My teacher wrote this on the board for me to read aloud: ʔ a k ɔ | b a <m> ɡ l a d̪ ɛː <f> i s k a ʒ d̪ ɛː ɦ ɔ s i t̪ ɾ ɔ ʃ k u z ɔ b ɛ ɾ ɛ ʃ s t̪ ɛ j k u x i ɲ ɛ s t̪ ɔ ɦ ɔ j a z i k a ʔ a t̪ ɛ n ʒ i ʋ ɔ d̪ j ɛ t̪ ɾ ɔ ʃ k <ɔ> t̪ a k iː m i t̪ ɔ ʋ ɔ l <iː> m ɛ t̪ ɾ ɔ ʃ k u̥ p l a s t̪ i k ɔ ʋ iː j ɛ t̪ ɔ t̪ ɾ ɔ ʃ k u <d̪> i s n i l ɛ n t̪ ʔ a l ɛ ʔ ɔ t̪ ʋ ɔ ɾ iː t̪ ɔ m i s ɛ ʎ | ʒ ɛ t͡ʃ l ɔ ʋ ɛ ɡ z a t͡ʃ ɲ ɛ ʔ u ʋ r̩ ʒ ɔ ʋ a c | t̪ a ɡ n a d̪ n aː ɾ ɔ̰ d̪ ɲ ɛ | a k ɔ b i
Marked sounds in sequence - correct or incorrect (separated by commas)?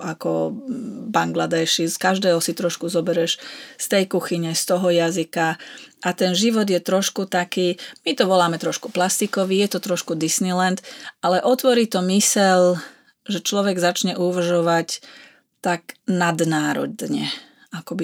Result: incorrect, incorrect, incorrect, incorrect, correct